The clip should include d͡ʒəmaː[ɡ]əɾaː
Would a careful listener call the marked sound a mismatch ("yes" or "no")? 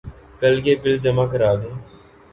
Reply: yes